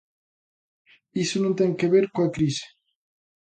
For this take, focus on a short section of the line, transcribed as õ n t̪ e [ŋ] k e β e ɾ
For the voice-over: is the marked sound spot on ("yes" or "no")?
yes